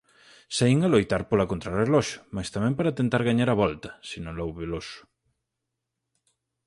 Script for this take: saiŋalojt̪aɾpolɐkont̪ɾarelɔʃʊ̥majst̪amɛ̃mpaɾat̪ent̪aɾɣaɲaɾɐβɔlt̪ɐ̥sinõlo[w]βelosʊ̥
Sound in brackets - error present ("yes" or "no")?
no